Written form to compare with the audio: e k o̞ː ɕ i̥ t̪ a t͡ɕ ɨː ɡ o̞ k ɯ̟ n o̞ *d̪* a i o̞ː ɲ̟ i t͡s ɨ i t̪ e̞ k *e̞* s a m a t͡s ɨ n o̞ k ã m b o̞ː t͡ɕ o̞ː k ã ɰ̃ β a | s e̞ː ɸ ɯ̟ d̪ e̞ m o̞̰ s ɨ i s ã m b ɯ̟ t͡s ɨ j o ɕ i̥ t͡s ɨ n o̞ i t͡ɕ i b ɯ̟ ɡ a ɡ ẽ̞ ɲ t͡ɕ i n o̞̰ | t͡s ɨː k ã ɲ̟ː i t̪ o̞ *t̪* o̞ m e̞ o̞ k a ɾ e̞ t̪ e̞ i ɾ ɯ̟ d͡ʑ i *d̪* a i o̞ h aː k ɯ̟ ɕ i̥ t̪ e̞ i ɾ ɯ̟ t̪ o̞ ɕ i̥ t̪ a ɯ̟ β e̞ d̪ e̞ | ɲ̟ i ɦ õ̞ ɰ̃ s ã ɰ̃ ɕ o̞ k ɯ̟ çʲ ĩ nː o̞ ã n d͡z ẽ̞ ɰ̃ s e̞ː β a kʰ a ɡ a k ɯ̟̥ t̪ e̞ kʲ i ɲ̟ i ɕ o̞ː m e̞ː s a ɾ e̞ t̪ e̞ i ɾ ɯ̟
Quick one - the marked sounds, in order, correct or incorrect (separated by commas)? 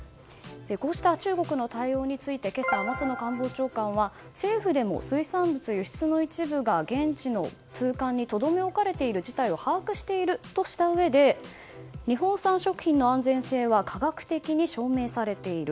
incorrect, correct, incorrect, incorrect